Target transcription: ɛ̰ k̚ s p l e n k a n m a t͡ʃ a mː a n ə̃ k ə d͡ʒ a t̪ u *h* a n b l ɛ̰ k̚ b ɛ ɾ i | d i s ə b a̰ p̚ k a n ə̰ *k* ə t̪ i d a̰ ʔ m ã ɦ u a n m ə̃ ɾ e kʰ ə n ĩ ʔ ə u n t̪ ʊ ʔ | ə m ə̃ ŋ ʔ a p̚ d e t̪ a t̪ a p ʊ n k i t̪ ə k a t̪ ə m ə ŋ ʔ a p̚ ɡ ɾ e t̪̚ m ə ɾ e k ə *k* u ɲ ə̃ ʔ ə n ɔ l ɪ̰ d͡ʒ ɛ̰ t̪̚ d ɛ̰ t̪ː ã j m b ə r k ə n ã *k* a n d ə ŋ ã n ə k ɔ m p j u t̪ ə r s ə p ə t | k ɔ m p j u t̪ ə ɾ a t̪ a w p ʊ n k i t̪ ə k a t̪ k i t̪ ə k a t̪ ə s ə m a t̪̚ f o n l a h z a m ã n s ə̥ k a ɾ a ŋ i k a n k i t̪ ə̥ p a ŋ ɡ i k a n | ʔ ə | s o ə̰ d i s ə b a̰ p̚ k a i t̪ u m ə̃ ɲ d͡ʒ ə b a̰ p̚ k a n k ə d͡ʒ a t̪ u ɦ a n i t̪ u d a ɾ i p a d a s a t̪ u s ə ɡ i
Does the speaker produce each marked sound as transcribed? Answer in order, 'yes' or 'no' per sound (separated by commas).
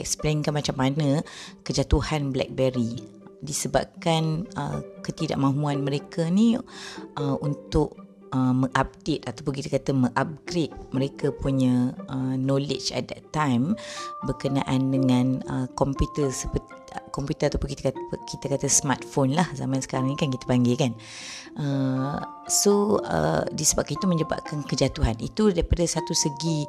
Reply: yes, yes, no, no